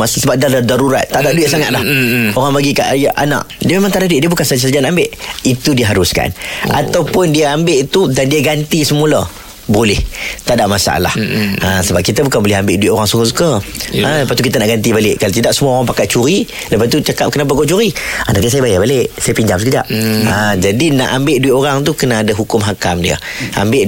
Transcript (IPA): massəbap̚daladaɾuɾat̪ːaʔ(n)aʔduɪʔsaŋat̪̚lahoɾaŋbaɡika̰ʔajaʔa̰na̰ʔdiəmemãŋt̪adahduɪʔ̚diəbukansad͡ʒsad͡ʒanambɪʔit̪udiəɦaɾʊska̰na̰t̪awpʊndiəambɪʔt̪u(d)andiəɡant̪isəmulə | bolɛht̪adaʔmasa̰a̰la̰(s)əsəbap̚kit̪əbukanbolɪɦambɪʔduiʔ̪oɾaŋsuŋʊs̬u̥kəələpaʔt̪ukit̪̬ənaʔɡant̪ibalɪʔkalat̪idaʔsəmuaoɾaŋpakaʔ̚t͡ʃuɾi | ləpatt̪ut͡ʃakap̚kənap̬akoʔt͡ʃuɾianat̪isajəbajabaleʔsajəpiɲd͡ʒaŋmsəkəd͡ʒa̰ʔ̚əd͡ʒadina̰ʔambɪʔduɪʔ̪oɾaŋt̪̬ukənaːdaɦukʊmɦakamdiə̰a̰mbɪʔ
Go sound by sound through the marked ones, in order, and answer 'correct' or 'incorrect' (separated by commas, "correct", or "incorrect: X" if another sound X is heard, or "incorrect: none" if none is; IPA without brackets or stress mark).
incorrect: d, correct, incorrect: h